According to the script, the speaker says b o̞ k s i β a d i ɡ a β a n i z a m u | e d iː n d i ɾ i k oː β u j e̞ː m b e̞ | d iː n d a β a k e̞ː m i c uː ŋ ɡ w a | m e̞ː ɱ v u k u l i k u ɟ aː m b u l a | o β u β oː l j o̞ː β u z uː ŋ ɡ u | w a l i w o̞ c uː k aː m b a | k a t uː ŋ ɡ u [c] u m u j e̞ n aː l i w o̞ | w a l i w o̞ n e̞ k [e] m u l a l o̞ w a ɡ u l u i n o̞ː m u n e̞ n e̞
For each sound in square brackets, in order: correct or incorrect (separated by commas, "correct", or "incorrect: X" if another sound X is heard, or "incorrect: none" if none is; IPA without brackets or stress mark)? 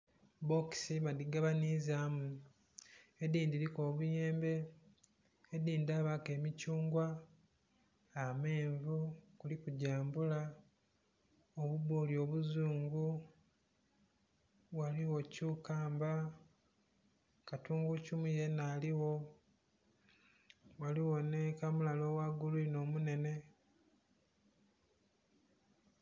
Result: correct, incorrect: a